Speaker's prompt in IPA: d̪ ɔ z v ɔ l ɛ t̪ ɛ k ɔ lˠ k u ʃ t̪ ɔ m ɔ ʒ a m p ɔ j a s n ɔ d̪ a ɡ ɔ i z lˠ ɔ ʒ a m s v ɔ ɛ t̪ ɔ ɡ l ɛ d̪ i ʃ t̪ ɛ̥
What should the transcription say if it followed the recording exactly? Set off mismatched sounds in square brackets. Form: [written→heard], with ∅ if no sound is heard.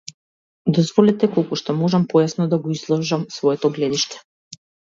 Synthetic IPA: d̪ ɔ z v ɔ l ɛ t̪ ɛ k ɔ lˠ k u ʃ t̪ ɔ m ɔ ʒ a m p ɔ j a s n ɔ d̪ a ɡ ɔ i z lˠ ɔ ʒ a m s v ɔ ɛ t̪ ɔ ɡ l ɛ d̪ i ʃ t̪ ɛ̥